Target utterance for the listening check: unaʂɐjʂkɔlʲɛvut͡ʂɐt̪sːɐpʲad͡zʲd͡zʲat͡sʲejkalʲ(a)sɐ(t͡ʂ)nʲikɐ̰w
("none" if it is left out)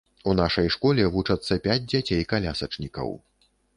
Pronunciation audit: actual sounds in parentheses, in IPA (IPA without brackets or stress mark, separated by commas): a, t͡ʂ